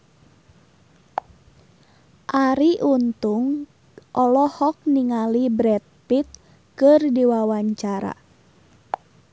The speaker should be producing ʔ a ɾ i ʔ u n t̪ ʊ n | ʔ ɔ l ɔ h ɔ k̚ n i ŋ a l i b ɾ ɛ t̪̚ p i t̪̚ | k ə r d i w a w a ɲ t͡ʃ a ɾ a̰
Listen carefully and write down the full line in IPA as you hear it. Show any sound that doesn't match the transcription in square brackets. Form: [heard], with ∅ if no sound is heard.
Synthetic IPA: ʔ a ɾ i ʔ u n t̪ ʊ [ŋ] | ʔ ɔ l ɔ h ɔ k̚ n i ŋ a l i b ɾ ɛ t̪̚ p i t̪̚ | k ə r d i w a w a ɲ t͡ʃ a ɾ a̰